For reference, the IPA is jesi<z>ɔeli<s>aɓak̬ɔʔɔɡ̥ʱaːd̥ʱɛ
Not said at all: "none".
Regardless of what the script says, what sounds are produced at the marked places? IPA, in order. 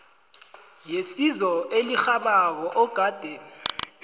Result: z, x

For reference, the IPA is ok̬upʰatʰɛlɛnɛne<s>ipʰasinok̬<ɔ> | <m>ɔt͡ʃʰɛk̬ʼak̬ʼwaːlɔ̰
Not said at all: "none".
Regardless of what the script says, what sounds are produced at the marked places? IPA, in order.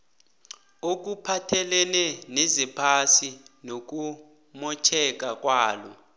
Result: z, u, m

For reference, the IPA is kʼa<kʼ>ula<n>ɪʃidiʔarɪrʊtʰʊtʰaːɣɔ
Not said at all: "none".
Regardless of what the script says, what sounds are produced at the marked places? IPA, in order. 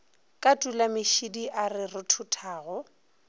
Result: tʼ, m

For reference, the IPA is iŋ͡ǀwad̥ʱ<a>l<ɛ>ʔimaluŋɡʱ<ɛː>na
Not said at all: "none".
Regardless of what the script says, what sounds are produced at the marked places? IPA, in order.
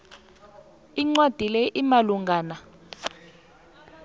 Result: i, ɛ, aː

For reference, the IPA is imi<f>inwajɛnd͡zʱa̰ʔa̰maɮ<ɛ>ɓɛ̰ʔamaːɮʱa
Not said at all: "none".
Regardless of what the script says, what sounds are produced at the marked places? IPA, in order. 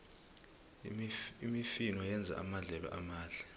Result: f, ɛ

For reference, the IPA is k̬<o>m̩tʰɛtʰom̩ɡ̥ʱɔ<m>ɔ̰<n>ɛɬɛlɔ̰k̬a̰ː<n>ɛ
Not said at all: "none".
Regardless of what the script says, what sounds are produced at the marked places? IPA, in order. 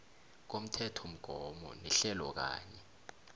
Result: o, m, n, ɲ

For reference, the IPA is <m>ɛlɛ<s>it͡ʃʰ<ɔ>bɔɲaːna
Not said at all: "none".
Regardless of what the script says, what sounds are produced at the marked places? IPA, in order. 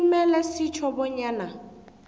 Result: m, s, ɔ

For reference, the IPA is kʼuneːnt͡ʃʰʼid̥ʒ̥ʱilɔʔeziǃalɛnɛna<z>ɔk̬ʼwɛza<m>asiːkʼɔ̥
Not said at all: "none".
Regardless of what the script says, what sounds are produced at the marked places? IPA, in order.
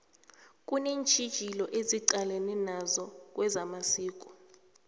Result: z, m

